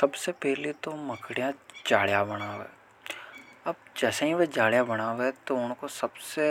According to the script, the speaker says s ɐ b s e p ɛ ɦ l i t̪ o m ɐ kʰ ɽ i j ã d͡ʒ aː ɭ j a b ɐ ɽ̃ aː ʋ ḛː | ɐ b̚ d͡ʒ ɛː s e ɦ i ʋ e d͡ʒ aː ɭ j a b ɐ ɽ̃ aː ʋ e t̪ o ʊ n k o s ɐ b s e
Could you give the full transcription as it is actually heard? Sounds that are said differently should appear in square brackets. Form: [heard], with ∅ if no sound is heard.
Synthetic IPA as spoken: s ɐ b s e p ɛ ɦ l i t̪ o m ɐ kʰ ɽ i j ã d͡ʒ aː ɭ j a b ɐ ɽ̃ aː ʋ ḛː | ɐ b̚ d͡ʒ ɛː s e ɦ i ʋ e d͡ʒ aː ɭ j a b ɐ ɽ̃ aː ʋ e t̪ o ʊ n k o s ɐ b s e

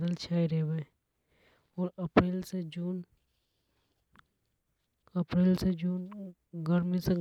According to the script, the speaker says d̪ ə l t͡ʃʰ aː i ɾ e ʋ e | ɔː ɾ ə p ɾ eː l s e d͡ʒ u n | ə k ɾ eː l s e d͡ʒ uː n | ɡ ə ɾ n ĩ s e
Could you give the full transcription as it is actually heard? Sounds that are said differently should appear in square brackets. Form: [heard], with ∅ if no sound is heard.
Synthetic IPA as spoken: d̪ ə l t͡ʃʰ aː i ɾ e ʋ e | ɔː ɾ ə p ɾ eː l s e d͡ʒ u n | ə [p] ɾ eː l s e d͡ʒ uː n | ɡ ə ɾ [m] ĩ s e

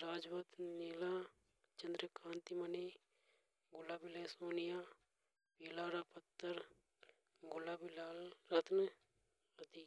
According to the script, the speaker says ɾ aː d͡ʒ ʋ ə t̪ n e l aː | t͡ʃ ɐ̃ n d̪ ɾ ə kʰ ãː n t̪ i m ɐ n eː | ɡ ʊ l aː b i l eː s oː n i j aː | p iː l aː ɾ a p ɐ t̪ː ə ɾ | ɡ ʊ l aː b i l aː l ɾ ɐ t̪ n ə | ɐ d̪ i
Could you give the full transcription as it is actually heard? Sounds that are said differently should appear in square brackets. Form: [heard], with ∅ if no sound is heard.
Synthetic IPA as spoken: ɾ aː d͡ʒ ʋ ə t̪ n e l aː | t͡ʃ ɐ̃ n d̪ ɾ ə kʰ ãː n t̪ i m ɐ n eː | ɡ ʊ l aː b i l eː s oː n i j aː | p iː l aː ɾ a p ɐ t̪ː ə ɾ | ɡ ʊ l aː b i l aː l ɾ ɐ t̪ n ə | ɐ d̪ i

